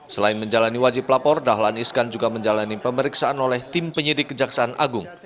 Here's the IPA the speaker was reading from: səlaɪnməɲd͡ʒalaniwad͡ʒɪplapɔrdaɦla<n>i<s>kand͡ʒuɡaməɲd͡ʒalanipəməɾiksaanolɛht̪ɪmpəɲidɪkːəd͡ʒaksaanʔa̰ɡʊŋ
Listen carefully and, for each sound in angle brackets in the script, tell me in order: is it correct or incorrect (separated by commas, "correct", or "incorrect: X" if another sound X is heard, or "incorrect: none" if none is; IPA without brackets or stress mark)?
correct, correct